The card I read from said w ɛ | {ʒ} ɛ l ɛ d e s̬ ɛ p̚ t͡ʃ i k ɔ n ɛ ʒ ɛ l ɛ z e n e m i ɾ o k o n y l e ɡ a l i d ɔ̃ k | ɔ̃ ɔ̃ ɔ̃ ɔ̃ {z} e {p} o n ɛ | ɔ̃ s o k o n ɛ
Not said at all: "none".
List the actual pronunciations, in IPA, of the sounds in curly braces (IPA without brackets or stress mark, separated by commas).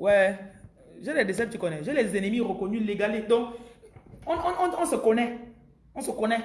ʒ, s, k